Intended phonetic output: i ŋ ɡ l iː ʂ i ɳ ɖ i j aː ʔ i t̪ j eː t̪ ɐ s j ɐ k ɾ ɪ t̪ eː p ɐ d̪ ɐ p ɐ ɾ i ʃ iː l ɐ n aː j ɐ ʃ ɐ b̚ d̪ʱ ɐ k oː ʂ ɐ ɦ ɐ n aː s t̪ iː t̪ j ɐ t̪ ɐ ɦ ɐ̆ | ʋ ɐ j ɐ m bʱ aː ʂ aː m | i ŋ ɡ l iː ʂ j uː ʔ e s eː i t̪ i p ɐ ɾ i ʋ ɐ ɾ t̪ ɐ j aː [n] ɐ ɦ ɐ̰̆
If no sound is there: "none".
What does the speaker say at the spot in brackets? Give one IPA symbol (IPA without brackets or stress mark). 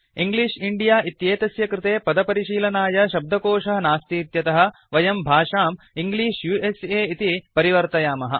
m